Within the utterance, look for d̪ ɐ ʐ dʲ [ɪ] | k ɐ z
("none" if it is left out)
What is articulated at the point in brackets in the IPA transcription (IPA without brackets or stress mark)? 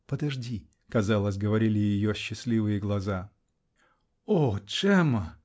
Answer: i